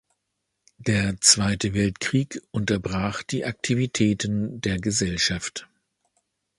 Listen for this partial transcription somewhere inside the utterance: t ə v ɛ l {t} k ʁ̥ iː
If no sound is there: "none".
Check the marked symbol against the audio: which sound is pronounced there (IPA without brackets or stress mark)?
t